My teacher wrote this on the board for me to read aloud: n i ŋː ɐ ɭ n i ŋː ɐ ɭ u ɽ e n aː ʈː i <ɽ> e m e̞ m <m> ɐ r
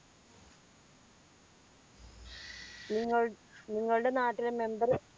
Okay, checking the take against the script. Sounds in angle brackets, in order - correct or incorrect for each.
incorrect: l, incorrect: b

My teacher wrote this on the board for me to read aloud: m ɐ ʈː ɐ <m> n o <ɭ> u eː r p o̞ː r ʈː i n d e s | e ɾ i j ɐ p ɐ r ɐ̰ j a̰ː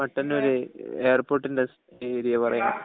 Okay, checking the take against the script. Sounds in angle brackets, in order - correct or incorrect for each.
incorrect: none, incorrect: ɾ

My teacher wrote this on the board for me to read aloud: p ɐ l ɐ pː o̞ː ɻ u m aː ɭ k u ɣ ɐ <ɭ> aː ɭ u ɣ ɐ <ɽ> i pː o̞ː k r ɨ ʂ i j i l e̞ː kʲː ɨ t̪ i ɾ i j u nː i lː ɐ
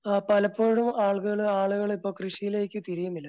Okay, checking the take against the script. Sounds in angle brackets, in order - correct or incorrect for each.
correct, incorrect: ɭ

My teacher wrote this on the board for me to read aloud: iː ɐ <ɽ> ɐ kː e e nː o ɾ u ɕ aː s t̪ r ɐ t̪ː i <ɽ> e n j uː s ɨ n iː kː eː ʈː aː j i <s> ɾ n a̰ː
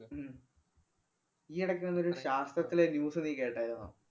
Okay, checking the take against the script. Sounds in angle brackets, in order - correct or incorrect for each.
correct, incorrect: l, incorrect: none

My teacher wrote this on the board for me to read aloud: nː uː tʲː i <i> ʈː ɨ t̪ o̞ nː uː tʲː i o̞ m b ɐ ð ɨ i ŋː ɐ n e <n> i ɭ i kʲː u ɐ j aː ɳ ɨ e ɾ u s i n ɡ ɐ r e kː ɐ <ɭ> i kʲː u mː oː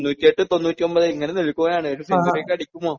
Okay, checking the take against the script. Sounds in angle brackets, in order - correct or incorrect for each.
incorrect: e, correct, incorrect: ɽ

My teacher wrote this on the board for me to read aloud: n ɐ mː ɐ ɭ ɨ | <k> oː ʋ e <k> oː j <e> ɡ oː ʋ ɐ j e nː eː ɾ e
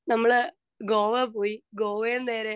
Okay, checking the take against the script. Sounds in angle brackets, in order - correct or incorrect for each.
incorrect: ɡ, incorrect: p, incorrect: i

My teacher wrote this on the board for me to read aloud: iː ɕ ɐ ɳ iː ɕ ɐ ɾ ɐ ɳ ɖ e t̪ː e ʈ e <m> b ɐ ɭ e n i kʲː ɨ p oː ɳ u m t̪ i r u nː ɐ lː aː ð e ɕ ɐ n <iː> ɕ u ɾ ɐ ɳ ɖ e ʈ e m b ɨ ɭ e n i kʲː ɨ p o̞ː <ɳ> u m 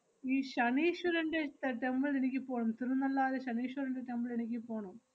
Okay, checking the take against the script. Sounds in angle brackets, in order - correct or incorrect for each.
correct, correct, correct

